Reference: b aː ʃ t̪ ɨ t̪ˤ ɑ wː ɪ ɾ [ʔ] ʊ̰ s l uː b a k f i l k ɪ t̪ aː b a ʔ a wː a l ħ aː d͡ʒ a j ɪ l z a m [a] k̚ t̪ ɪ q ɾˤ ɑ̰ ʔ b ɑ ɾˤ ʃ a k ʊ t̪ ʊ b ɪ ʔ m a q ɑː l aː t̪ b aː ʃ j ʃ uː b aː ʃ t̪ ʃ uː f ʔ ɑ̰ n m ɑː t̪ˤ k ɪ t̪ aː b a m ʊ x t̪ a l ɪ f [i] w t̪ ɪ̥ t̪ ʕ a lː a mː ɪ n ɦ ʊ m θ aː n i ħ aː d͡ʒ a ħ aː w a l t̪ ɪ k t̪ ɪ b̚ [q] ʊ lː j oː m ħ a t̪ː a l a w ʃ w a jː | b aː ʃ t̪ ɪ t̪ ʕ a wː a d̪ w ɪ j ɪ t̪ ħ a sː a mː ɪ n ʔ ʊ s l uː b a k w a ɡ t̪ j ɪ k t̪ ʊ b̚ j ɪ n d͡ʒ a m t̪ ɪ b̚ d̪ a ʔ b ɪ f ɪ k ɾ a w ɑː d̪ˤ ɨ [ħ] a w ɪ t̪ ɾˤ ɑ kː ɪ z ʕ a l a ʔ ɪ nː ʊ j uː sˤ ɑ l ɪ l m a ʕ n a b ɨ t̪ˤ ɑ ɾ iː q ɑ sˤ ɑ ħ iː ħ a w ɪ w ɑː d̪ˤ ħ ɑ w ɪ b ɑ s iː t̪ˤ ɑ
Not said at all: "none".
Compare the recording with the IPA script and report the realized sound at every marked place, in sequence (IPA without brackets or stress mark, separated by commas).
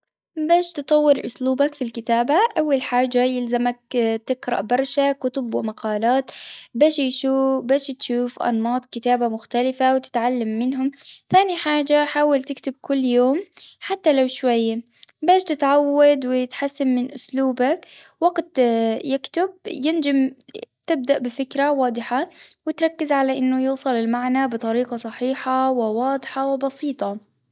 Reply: ʔ, a, a, k, ħ